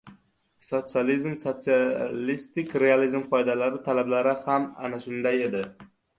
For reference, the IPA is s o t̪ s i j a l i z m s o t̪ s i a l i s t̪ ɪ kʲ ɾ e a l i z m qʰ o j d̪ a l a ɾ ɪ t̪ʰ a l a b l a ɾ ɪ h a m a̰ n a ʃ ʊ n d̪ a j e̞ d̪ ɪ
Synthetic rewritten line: s o t̪ s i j a l i z m s o t̪ s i a l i s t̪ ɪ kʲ ɾ e a l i z m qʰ ɒ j d̪ a l a ɾ ɪ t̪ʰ a l a b l a ɾ ɪ h a m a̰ n a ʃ ʊ n d̪ a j e̞ d̪ ɪ